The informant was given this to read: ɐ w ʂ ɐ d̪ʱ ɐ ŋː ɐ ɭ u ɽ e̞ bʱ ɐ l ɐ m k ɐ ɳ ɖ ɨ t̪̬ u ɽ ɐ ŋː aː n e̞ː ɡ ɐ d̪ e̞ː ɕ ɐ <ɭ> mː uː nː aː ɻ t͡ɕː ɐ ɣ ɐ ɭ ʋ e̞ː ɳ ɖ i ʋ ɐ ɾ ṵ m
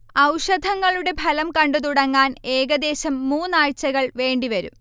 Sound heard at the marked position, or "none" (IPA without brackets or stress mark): none